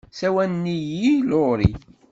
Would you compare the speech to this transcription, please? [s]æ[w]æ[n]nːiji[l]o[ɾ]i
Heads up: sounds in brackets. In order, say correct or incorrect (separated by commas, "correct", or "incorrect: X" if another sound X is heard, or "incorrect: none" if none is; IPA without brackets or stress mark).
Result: correct, correct, correct, correct, correct